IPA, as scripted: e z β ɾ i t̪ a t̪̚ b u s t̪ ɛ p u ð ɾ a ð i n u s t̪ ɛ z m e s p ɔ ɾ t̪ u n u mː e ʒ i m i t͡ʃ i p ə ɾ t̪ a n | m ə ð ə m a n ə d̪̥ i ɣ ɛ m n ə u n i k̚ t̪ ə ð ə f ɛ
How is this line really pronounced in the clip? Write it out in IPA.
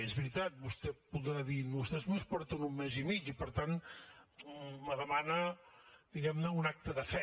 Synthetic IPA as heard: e z β ɾ i t̪ a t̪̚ b u s t̪ ɛ p u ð ɾ a ð i n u s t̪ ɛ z m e s p ɔ ɾ t̪ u n u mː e z i m i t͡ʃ i p ə ɾ t̪ a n | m ə ð ə m a n ə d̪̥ i ɣ ɛ m n ə u n a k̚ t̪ ə ð ə f ɛ